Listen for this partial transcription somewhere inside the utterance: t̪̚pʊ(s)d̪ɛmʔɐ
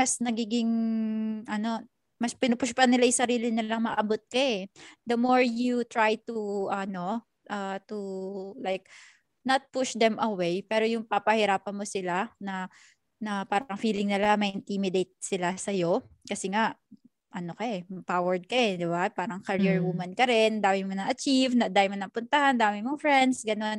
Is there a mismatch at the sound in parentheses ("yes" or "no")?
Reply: yes